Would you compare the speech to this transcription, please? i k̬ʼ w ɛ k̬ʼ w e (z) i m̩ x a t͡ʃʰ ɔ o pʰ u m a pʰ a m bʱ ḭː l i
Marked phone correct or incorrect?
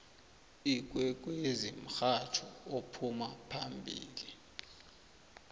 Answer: correct